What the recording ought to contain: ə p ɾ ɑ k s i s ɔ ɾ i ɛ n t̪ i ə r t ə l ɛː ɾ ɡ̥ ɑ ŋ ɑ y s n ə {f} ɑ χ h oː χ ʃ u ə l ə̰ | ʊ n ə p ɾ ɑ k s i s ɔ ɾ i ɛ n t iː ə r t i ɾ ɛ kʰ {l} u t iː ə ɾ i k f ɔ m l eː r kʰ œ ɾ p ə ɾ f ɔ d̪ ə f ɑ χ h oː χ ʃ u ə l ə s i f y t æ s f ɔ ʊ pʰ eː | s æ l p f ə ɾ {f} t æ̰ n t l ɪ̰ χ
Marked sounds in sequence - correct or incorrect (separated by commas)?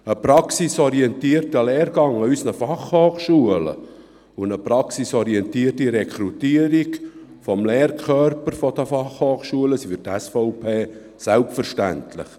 correct, incorrect, incorrect